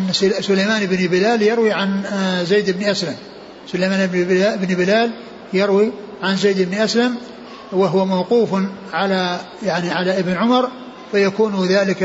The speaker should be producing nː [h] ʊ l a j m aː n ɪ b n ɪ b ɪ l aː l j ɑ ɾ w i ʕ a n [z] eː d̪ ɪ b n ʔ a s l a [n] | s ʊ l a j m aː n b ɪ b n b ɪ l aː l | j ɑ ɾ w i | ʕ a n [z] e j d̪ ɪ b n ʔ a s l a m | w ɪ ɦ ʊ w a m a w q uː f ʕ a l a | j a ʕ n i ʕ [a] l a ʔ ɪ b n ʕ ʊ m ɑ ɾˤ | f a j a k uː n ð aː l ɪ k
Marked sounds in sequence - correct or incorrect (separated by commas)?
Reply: incorrect, correct, incorrect, correct, correct